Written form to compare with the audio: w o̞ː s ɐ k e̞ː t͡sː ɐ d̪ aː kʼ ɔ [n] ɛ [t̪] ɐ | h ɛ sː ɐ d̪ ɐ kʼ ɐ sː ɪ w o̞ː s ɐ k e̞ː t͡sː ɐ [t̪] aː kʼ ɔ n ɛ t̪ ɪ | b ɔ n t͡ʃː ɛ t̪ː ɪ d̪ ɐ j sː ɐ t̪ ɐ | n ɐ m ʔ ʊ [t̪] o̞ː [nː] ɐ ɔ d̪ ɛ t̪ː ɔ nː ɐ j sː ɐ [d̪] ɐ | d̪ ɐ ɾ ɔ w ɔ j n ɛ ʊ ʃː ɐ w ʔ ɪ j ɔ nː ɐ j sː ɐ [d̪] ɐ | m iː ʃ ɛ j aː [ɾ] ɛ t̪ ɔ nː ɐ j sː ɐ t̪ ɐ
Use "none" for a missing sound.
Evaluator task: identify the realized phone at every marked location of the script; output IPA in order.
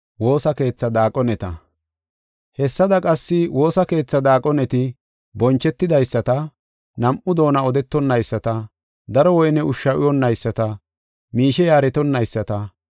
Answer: n, t̪, d̪, d̪, n, t̪, t̪, ɾ

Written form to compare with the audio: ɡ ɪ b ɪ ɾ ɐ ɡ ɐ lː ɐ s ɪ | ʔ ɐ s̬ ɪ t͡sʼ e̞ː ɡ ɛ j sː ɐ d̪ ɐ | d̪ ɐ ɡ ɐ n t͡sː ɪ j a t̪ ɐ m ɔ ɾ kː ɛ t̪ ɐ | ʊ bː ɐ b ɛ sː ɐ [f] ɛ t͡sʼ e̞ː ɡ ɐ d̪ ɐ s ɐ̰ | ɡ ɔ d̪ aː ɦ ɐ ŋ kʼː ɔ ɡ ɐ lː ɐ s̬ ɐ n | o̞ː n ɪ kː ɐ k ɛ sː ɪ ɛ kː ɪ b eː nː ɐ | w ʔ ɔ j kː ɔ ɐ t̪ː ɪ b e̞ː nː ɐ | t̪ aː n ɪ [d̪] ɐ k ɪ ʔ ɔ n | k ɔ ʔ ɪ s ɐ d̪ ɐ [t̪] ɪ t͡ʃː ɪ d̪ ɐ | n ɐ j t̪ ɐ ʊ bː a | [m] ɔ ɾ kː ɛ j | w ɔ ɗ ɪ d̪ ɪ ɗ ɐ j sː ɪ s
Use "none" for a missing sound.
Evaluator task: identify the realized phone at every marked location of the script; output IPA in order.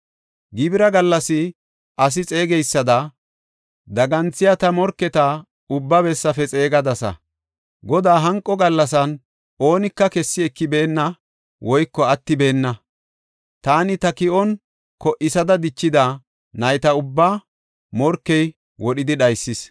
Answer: f, t̪, d̪, m

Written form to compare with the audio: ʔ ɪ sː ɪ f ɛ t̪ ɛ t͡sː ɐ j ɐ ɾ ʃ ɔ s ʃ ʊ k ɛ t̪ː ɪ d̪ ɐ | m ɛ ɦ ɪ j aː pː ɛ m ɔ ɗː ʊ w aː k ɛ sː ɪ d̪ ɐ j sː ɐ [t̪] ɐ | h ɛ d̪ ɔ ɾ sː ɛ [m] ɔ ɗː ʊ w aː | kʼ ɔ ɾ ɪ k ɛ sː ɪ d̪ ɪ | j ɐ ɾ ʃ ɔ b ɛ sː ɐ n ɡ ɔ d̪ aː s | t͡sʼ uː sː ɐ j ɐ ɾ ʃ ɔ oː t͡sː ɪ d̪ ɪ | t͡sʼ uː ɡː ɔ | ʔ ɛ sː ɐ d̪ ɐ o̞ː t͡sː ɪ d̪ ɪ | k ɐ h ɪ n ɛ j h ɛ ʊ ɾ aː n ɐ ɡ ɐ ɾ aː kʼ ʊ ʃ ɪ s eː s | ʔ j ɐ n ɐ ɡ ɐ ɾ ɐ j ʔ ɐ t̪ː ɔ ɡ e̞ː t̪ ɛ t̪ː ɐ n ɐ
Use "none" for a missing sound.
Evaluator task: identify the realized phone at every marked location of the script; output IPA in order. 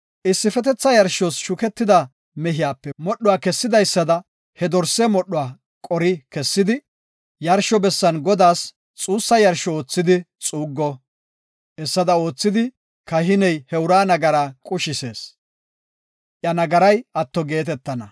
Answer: d̪, m

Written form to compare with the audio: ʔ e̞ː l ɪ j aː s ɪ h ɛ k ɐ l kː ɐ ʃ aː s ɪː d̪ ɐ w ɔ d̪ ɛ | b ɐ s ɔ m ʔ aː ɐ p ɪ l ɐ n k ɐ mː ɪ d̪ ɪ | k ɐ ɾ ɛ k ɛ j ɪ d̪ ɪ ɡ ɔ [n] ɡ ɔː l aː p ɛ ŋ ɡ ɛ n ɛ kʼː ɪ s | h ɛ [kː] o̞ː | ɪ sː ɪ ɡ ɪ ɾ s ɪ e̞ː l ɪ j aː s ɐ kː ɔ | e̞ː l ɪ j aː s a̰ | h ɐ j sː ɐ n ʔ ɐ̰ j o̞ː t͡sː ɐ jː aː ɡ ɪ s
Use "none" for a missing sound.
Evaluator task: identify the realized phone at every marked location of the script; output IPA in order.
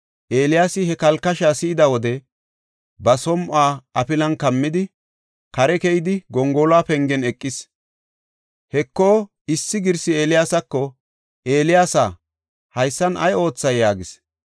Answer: ŋ, kː

